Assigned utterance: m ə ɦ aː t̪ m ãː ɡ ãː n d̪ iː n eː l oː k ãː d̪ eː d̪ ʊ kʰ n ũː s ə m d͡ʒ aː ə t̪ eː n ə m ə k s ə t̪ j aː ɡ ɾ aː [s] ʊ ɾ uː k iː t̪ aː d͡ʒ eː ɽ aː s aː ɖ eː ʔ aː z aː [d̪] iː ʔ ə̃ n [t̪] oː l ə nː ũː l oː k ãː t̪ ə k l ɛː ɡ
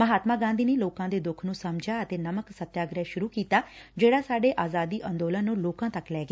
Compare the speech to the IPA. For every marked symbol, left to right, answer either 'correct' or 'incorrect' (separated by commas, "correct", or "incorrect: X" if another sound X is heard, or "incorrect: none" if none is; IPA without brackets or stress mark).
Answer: incorrect: ʃ, correct, incorrect: d̪